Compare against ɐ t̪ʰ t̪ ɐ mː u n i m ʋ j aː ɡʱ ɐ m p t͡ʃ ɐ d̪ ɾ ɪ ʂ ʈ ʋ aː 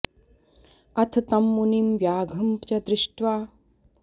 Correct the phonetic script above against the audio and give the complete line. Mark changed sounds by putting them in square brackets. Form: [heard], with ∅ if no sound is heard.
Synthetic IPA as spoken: ɐ t̪ʰ t̪ ɐ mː u n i m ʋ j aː ɡʱ ɐ m p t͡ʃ ɐ d̪ ɾ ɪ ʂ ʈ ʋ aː